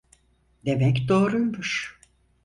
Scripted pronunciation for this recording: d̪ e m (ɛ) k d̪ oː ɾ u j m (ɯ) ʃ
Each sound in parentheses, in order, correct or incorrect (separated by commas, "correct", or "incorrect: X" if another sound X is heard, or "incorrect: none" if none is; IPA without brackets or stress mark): correct, incorrect: u